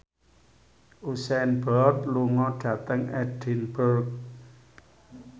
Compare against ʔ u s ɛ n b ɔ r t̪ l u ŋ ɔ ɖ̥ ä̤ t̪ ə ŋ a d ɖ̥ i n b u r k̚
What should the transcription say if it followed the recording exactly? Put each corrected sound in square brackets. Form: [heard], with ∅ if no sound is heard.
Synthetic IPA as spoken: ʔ u s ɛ n b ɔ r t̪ l u ŋ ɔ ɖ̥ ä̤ t̪ ə ŋ [ɛ] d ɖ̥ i n b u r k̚

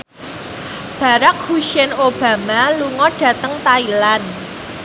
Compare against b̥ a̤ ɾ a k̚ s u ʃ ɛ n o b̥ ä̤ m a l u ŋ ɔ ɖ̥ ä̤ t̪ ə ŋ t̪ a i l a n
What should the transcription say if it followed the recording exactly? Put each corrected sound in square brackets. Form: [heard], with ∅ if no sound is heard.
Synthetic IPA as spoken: b̥ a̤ ɾ a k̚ [h] u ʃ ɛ n o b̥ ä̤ m a l u ŋ ɔ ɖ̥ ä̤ t̪ ə ŋ t̪ a i l a n

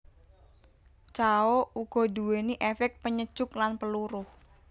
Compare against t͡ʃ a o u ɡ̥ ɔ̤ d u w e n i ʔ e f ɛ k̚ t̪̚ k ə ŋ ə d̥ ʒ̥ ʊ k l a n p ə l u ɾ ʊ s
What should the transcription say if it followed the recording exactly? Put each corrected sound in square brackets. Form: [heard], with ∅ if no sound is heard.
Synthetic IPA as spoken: t͡ʃ a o u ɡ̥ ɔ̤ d u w e n i ʔ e f ɛ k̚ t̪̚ [p] ə [ɲ] ə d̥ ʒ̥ ʊ k l a n p ə l u ɾ ʊ [h]

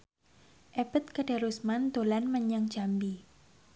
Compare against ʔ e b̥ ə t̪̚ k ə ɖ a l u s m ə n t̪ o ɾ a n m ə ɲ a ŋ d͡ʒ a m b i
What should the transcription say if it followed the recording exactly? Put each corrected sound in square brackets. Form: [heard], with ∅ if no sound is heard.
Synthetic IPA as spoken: ʔ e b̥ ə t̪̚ k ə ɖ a [ɾ] u s m [a] n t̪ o [l] a n m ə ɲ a ŋ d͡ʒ a m b i

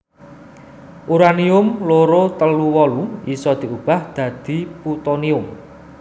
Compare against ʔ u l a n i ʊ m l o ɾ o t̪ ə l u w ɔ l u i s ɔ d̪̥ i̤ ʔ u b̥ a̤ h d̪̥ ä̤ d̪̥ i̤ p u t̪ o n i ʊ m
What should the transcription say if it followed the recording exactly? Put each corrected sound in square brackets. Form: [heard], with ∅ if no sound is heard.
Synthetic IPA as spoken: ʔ u [ɾ] a n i ʊ m l o ɾ o t̪ ə l u w ɔ l u i s ɔ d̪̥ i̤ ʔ u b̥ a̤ h d̪̥ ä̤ d̪̥ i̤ p u t̪ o n i ʊ m

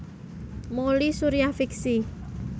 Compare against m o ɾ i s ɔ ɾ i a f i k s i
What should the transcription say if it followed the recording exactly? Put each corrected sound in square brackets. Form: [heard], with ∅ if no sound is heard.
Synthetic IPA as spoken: m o [l] i s [u] ɾ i a f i k s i

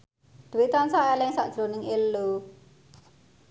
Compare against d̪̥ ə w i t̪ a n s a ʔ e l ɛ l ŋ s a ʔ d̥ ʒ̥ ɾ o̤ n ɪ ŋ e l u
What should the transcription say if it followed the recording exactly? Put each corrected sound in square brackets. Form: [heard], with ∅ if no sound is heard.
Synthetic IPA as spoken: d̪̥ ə w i t̪ a n s a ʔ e l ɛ [∅] ŋ s a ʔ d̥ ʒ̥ ɾ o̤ n ɪ ŋ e l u

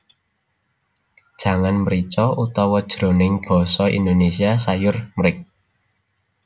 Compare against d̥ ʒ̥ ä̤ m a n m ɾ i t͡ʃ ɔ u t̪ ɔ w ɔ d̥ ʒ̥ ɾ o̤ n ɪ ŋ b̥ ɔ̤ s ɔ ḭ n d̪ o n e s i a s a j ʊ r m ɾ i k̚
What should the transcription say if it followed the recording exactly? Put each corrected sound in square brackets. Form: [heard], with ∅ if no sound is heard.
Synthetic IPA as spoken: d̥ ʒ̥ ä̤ [ŋ] a n m ɾ i t͡ʃ ɔ u t̪ ɔ w ɔ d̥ ʒ̥ ɾ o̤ n ɪ ŋ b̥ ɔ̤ s ɔ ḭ n d̪ o n e s i a s a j ʊ r m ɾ [ɪ] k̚

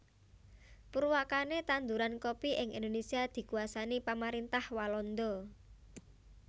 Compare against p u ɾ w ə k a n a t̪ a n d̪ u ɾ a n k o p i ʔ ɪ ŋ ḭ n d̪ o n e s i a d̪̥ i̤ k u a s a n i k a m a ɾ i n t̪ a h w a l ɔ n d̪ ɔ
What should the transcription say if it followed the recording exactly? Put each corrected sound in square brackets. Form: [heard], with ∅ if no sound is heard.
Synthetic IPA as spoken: p u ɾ w [a] k a n [e] t̪ a n d̪ u ɾ a n k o p i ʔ ɪ ŋ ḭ n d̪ o n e s i a d̪̥ i̤ k u a s a n i [p] a m a ɾ i n t̪ a h w a l ɔ n d̪ ɔ

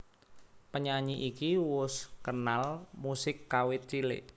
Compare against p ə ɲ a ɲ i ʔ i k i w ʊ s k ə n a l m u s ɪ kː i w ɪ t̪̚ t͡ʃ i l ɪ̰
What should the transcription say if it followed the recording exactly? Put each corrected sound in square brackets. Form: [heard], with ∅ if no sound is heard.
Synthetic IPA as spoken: p ə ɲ a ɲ i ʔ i k i w ʊ s k ə n a l m u s ɪ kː [a] w ɪ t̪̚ t͡ʃ i l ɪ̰

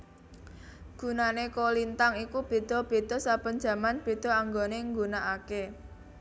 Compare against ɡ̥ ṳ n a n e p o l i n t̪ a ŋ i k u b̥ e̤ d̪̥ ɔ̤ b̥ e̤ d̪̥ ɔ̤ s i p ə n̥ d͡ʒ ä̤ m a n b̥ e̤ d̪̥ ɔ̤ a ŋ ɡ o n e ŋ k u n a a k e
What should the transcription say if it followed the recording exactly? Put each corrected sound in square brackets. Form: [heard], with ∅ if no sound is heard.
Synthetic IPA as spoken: ɡ̥ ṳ n a n e [k] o l i n t̪ a ŋ i k u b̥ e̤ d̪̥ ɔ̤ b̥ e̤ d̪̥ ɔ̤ s [a] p ə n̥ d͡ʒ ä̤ m a n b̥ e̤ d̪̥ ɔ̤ a ŋ ɡ o n e ŋ [ɡ] u n a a k e

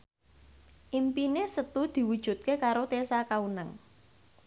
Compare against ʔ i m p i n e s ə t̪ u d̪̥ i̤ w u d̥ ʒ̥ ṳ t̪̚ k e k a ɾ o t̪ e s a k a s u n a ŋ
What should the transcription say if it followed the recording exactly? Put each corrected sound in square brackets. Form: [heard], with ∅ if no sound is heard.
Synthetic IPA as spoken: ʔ i m p i n e s ə t̪ u d̪̥ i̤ w u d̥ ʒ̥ ṳ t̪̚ k e k a ɾ o t̪ e s a k a [∅] u n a ŋ

